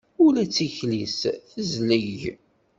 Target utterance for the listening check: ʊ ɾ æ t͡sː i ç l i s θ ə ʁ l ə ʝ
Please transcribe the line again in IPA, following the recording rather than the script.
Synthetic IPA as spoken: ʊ l æ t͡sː i ç l i s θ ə z l ə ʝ